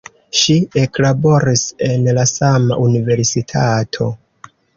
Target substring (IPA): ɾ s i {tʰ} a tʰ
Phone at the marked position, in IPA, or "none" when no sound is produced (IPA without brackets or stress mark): tʰ